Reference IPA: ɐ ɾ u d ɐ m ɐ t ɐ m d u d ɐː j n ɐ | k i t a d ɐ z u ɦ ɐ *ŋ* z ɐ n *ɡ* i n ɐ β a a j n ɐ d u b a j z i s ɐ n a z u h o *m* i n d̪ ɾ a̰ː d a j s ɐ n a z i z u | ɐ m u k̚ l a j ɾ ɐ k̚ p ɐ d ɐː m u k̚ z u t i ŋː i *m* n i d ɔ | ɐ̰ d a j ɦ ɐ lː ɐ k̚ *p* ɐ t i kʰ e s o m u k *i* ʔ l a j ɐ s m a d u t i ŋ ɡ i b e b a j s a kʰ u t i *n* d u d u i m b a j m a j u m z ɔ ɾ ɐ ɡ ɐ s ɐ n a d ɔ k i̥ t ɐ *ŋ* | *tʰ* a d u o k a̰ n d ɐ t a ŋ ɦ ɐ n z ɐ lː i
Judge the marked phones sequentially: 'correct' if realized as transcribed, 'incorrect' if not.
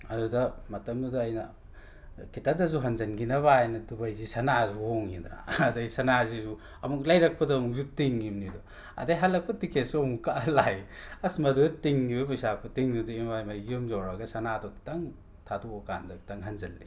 incorrect: n, correct, incorrect: ŋ, correct, correct, incorrect: a, incorrect: ŋ, correct, correct

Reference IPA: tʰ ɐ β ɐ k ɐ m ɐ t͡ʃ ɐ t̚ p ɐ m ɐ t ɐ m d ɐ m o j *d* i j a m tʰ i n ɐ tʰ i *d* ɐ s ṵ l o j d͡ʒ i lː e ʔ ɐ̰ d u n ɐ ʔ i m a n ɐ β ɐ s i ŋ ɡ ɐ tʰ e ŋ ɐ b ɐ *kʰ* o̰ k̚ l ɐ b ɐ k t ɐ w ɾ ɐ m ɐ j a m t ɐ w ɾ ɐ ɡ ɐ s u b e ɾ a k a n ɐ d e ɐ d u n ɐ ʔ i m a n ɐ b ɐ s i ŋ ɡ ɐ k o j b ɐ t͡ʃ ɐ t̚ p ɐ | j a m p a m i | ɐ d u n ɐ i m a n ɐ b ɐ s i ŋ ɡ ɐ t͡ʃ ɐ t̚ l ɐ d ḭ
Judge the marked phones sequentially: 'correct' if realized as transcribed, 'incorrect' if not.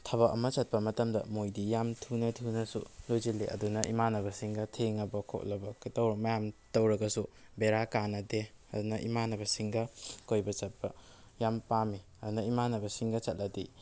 correct, incorrect: n, correct

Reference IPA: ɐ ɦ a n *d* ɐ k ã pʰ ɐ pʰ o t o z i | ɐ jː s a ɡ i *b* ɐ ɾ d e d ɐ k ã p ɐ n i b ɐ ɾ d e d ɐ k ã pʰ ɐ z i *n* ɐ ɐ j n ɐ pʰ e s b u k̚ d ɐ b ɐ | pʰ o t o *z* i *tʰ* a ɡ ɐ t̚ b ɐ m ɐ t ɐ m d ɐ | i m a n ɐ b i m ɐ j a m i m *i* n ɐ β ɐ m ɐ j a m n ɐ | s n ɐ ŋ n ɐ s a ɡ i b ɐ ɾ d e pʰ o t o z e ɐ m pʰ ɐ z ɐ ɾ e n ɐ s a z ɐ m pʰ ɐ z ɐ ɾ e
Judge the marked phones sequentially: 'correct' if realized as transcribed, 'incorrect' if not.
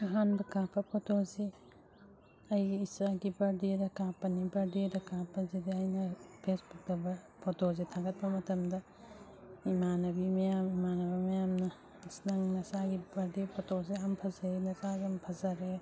incorrect: b, correct, incorrect: d, correct, correct, incorrect: a

